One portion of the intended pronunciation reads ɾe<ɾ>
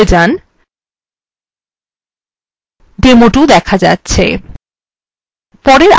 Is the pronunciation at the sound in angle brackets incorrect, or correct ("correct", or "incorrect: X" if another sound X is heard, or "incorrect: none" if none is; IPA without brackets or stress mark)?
correct